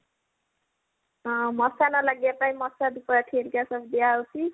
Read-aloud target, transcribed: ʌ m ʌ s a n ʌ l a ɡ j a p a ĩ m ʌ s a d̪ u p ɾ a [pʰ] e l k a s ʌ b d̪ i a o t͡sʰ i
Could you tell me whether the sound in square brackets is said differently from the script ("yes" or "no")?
yes